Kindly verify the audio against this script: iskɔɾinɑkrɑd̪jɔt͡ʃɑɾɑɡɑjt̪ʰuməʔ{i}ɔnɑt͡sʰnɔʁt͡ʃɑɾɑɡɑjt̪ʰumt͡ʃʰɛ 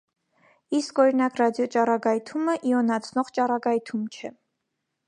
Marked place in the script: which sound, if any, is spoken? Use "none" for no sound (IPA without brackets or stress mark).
i